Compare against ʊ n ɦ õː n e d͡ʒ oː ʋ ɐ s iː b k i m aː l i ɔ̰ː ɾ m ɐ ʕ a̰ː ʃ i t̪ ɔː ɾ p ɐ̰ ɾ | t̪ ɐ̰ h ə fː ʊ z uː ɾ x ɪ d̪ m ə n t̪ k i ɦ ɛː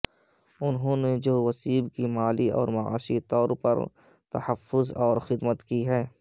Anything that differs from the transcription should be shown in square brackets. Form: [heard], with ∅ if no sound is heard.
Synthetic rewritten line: ʊ n ɦ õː n e d͡ʒ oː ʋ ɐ s iː b k i m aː l i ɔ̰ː ɾ m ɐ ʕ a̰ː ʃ i t̪ ɔː ɾ p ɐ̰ ɾ | t̪ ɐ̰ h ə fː ʊ z [ɔː] ɾ x ɪ d̪ m ə [∅] t̪ k i ɦ ɛː